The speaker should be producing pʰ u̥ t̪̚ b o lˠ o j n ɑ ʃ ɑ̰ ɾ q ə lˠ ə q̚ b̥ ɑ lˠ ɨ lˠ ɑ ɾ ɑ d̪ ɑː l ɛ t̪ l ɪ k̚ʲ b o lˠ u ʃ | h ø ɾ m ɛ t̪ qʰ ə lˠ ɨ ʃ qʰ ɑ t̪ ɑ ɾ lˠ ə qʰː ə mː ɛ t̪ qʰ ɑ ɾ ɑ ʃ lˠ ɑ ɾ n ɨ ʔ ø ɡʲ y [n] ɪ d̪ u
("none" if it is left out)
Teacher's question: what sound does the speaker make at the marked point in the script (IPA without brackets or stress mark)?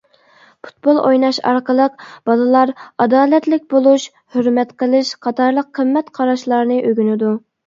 n